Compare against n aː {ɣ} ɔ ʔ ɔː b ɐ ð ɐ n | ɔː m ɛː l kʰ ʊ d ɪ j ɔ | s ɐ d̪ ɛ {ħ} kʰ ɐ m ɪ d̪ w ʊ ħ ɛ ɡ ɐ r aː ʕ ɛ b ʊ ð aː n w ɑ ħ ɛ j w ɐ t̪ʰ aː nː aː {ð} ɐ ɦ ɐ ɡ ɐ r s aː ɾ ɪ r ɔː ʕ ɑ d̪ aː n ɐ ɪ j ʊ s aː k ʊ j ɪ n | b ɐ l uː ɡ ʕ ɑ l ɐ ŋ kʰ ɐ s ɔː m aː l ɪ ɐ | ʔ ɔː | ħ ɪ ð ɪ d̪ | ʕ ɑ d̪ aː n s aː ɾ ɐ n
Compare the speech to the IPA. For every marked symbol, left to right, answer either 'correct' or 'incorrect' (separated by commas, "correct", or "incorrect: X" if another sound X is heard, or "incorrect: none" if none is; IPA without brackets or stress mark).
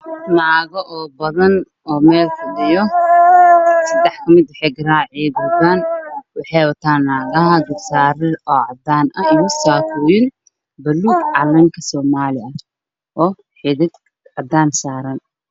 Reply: correct, correct, incorrect: ɣ